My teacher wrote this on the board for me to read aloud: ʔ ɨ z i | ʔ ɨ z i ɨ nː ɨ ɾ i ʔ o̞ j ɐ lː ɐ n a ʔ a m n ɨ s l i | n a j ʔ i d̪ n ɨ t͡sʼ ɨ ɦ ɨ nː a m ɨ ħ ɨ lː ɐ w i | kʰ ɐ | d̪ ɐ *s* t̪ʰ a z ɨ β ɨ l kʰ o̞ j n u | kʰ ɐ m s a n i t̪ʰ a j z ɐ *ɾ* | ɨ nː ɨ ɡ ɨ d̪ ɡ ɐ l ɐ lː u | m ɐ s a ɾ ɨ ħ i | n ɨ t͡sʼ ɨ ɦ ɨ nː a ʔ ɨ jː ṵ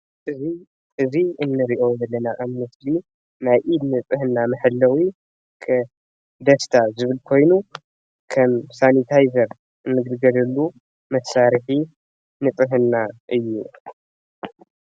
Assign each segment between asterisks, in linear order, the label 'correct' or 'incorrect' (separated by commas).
correct, correct